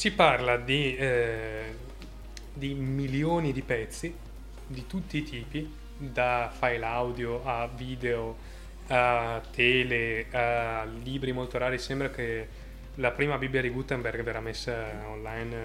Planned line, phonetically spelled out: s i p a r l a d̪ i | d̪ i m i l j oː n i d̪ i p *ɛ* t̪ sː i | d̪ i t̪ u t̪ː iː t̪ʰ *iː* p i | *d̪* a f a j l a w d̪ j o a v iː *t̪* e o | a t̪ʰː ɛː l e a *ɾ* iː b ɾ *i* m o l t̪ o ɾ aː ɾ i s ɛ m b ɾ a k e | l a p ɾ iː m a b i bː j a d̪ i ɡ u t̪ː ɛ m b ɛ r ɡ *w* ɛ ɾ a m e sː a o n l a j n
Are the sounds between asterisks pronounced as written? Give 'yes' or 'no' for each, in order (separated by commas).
yes, yes, yes, no, no, yes, no